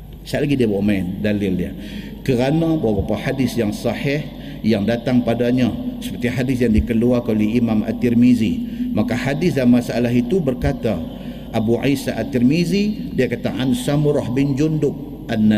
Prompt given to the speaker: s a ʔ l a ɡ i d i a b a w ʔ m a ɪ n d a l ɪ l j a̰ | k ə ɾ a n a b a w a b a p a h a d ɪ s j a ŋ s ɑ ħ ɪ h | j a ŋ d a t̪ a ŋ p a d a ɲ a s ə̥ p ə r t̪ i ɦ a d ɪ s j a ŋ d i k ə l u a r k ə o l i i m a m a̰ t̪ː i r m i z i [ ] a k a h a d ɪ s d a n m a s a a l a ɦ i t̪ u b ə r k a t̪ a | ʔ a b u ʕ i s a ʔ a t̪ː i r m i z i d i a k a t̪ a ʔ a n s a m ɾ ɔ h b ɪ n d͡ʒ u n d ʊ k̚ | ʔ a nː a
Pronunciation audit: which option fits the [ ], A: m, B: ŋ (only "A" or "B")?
A